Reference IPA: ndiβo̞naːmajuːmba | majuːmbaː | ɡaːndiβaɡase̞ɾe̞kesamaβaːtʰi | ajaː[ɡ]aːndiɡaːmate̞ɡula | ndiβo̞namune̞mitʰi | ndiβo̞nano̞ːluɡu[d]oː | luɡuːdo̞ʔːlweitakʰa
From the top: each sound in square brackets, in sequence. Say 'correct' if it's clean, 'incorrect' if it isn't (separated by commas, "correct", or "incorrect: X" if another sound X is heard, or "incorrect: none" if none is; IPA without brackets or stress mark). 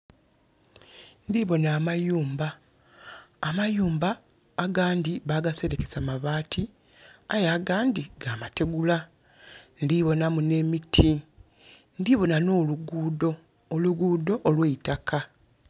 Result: correct, correct